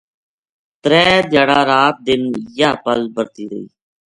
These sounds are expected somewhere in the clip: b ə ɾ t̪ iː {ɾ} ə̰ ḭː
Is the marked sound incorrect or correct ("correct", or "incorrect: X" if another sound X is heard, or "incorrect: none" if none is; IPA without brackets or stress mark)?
correct